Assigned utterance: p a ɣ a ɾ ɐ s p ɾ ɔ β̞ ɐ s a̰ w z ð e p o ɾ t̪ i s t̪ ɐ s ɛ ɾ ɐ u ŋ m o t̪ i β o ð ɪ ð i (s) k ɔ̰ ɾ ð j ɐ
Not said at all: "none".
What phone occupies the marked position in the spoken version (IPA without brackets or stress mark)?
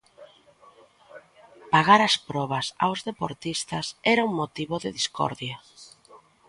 s